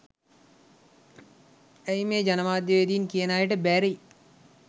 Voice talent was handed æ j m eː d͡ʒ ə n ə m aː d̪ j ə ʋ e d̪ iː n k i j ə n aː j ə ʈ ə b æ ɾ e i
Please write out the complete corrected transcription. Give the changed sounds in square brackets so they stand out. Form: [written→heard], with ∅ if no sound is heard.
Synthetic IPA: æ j m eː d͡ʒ [ə→a] n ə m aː d̪ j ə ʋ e d̪ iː n k i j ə n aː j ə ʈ ə b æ ɾ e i